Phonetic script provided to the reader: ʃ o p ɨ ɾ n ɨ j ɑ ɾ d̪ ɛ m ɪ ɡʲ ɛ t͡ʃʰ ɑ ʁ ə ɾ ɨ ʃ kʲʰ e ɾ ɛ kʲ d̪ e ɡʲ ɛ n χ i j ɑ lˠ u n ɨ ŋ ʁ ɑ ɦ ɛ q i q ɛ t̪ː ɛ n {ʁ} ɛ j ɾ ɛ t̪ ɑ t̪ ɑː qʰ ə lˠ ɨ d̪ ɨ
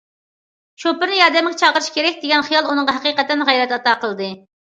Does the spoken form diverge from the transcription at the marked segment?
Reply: no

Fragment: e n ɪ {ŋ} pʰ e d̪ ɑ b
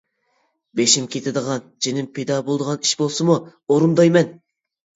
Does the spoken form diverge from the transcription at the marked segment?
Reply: yes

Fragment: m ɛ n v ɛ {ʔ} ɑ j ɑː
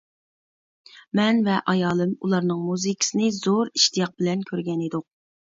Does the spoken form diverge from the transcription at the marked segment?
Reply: no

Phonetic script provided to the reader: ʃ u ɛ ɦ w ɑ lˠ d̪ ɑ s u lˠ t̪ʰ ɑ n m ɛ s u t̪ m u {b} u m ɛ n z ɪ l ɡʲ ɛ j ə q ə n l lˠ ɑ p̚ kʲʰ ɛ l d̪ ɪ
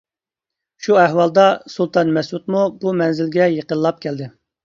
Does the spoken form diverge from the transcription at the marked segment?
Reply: no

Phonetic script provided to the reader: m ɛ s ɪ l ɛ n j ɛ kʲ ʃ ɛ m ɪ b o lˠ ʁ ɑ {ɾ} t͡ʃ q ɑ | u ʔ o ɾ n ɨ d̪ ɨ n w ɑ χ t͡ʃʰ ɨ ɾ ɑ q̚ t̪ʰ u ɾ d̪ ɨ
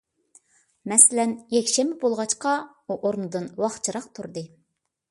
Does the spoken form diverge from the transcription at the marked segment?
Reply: yes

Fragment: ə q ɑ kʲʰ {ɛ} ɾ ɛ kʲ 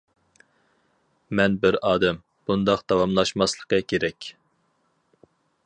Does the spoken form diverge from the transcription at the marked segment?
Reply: yes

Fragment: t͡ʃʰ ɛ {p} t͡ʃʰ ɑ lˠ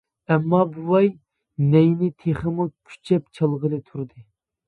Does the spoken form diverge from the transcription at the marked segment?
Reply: no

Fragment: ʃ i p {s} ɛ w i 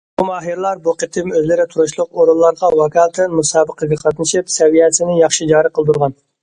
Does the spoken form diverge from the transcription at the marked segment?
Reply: no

